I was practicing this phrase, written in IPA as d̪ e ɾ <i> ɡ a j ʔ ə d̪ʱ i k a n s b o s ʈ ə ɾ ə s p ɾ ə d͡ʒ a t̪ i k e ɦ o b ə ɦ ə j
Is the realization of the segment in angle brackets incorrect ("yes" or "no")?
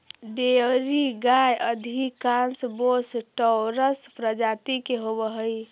no